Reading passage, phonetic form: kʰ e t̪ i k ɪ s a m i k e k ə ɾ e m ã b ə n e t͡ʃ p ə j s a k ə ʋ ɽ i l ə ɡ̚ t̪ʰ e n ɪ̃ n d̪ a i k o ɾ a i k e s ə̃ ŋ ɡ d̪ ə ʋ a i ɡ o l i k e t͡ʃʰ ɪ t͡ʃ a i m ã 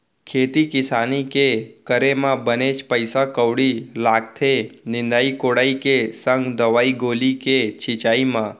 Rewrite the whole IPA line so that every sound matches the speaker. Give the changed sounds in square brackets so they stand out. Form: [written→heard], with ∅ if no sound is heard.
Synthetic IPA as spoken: kʰ e t̪ i k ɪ s a [m→n] i k e k ə ɾ e m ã b ə n e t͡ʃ p ə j s a k ə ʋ ɽ i l [ə→a] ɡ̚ t̪ʰ e n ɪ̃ n d̪ a i k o [ɾ→ɽ] a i k e s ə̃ ŋ ɡ d̪ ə ʋ a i ɡ o l i k e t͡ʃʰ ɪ t͡ʃ a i m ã